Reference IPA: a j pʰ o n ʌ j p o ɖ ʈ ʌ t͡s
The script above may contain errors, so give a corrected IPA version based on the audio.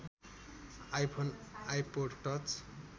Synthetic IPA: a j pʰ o n a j p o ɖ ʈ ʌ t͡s